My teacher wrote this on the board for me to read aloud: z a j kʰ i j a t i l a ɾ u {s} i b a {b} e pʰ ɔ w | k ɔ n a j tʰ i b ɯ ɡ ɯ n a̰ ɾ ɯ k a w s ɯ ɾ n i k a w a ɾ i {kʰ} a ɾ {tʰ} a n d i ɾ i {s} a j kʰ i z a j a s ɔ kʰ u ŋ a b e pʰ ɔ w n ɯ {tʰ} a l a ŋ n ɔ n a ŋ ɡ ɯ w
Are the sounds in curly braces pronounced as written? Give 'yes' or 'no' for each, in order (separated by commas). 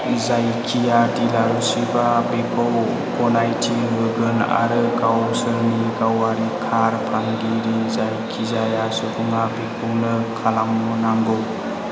yes, yes, yes, no, no, no